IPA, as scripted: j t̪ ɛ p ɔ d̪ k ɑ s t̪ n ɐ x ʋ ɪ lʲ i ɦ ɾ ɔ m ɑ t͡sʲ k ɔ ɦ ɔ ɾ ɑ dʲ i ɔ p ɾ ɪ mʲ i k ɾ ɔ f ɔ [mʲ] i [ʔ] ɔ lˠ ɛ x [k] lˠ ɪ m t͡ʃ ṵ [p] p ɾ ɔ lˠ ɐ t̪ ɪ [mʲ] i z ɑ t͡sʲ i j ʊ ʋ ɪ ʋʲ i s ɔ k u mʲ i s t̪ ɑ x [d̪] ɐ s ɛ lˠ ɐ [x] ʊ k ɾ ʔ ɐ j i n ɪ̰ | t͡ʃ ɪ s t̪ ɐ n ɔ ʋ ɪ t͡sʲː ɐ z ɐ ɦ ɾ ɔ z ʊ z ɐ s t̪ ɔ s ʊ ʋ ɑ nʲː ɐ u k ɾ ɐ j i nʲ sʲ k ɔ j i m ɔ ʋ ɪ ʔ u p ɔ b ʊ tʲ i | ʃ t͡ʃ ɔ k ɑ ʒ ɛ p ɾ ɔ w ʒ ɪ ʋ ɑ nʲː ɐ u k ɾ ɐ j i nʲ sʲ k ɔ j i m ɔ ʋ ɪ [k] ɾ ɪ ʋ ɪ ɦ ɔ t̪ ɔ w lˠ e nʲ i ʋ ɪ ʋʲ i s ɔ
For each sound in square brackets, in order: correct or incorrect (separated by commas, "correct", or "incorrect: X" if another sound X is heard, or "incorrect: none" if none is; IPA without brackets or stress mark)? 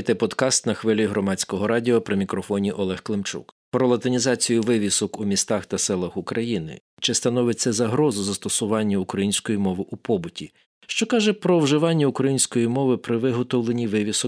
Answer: incorrect: nʲ, correct, correct, incorrect: k, incorrect: nʲ, incorrect: t̪, correct, incorrect: p